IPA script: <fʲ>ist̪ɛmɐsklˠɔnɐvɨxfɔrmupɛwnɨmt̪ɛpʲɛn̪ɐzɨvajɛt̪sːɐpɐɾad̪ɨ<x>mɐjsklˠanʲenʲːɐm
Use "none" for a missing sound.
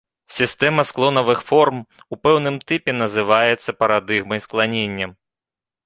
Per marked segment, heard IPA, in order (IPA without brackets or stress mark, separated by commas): sʲ, ɣ